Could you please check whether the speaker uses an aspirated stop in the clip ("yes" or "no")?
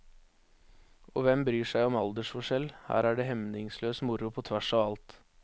yes